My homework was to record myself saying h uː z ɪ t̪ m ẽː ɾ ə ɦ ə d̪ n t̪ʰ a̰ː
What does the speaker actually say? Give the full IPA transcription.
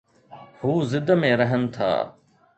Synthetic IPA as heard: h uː z ɪ d̪ m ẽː ɾ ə ɦ ə n t̪ʰ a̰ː